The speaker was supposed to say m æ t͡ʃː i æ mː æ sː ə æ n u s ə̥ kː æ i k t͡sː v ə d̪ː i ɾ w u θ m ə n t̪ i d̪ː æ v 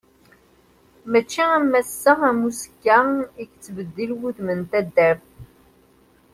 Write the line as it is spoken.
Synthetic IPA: m æ t͡ʃː i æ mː æ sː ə æ m u s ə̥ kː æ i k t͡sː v ə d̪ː i l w u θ m ə n t̪ æ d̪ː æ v